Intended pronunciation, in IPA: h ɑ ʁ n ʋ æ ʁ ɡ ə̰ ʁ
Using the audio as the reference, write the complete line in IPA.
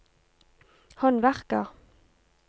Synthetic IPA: h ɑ n ʋ æ ʁ k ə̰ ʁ